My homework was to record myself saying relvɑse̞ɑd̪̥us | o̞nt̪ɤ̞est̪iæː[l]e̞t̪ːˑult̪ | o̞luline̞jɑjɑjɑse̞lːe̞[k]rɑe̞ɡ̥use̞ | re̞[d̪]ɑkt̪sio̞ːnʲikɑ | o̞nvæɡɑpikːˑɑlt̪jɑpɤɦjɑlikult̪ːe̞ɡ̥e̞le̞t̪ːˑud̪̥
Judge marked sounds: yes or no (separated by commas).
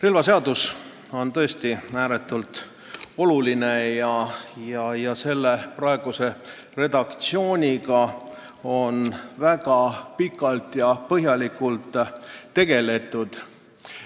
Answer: no, no, yes